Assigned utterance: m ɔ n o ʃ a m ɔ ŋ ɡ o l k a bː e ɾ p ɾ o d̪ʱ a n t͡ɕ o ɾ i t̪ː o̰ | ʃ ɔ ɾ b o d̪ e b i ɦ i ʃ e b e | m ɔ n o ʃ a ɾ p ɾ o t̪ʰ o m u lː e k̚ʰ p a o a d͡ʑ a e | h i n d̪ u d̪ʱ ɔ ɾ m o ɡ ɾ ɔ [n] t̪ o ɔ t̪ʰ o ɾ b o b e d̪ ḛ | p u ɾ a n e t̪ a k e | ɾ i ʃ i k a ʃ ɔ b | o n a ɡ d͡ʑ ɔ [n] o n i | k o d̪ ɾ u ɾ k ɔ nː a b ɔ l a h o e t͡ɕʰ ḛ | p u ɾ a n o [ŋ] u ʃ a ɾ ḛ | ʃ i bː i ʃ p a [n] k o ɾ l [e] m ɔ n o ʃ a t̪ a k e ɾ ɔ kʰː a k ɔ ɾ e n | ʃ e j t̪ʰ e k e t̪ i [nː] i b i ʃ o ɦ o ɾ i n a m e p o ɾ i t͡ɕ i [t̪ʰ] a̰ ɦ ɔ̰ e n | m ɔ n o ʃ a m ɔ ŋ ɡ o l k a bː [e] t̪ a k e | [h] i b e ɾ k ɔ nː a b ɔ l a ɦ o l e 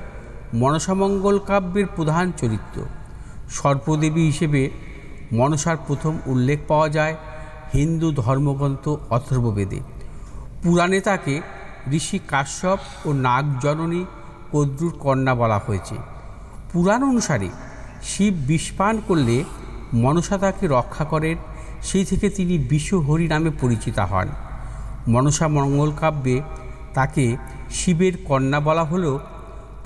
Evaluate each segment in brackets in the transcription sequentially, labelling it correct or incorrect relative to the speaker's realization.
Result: correct, correct, incorrect: n, correct, correct, incorrect: n, incorrect: t̪, correct, incorrect: ʃ

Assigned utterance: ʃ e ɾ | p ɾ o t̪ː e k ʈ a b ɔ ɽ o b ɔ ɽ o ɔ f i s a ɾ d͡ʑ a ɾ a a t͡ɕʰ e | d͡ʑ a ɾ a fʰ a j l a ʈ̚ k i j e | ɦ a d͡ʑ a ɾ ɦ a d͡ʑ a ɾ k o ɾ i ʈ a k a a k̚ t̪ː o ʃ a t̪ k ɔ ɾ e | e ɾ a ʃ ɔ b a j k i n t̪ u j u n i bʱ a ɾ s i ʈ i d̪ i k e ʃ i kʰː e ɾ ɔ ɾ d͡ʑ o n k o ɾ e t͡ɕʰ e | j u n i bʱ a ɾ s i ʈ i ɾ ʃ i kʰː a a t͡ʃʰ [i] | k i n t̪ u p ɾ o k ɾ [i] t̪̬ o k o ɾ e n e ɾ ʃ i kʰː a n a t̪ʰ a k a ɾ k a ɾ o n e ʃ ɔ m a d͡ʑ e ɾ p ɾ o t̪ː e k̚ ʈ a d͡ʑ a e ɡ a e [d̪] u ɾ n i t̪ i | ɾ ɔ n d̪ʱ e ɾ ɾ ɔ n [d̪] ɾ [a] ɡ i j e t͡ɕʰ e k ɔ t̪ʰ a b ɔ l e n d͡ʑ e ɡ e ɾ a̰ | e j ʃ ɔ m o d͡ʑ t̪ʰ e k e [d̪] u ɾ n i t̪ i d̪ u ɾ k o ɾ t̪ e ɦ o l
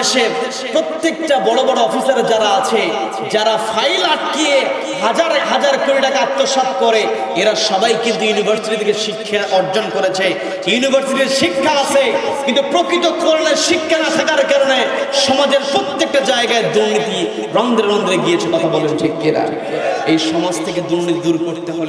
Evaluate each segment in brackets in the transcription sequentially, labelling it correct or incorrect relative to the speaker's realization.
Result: incorrect: e, correct, correct, correct, incorrect: e, correct

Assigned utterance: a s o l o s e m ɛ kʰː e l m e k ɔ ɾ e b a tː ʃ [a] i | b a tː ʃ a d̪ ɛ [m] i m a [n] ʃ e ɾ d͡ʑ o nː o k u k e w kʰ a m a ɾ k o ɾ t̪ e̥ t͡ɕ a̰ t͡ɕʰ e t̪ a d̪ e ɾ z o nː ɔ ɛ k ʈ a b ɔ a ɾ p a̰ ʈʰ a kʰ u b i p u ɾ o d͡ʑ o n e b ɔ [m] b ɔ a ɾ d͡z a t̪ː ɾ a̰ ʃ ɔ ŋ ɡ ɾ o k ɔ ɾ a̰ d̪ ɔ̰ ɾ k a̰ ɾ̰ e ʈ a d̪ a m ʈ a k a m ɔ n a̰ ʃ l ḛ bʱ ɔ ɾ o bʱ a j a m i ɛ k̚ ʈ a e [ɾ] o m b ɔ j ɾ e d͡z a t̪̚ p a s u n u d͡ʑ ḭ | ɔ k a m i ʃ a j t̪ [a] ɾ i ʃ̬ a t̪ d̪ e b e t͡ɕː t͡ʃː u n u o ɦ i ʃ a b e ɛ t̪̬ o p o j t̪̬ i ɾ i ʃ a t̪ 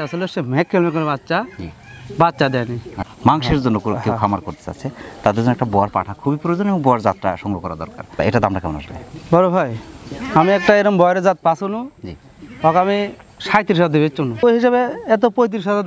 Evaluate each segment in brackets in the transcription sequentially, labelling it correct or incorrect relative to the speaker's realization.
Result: correct, incorrect: n, incorrect: ŋ, incorrect: ŋ, correct, incorrect: i

